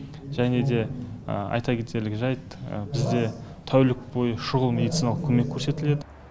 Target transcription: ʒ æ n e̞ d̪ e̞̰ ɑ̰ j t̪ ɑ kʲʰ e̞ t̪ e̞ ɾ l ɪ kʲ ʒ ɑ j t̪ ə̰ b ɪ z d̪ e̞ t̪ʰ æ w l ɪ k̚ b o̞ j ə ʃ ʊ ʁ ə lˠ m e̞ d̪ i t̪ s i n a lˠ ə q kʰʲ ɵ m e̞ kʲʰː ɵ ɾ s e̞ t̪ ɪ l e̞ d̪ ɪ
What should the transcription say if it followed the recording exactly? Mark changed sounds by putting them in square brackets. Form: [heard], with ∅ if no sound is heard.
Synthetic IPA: ʒ æ n e̞ d̪ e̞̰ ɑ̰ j t̪ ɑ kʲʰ e̞ t̪ e̞ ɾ l ɪ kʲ ʒ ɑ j t̪ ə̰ b ɪ z d̪ e̞ t̪ʰ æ w l ɪ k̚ b o̞ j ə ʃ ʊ ʁ ə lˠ m e̞ d̪ i t̪ s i n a lˠ ə q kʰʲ ɵ m e̞ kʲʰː ɵ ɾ s e̞ t̪ ɪ l e̞ d̪ ɪ